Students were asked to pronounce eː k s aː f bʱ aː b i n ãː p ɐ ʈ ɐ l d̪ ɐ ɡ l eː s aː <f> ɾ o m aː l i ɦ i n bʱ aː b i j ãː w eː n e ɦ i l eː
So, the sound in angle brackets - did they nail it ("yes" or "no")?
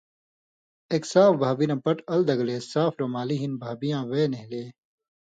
yes